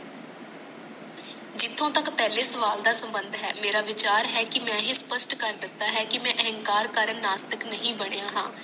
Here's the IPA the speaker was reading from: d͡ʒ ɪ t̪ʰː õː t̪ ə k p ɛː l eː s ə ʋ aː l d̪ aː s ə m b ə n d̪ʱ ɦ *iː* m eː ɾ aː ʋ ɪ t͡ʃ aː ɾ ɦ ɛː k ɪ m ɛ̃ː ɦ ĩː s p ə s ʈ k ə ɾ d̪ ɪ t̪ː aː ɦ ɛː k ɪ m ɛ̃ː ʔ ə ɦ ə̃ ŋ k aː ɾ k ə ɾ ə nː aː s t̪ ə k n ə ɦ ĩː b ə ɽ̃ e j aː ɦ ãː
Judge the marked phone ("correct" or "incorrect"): incorrect